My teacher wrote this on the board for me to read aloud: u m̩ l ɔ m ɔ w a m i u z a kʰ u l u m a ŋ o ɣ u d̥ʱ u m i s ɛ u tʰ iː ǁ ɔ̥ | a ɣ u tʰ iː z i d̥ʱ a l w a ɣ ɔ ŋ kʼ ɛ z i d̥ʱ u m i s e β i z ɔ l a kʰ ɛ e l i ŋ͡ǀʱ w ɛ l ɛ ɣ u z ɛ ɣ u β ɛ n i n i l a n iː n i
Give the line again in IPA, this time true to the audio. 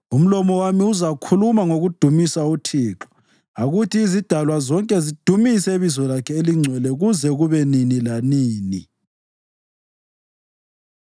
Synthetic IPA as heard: u m̩ l ɔ m ɔ w a m i u z a kʰ u l u m a ŋ o ɣ u d̥ʱ u m i s a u tʰ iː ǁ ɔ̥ | a ɣ u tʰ iː z i d̥ʱ a l w a z ɔ ŋ kʼ ɛ z i d̥ʱ u m i s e β i z ɔ l a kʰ ɛ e l i ŋ͡ǀʱ w ɛ l ɛ ɣ u z ɛ ɣ u β ɛ n i n i l a n iː n i